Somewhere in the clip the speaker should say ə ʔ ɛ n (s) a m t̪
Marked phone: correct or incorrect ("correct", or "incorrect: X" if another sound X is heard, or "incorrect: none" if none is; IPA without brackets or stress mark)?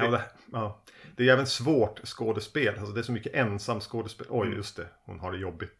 correct